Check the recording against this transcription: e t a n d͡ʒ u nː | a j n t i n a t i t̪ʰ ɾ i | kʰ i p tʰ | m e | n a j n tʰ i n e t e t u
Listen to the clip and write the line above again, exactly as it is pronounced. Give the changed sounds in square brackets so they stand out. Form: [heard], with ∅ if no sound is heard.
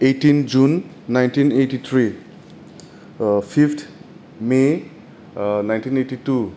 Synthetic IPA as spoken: e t [i] n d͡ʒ u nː | a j n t i n [e] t i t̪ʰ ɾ i | [pʰ] i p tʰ | m e | n a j n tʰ i n e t [i] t u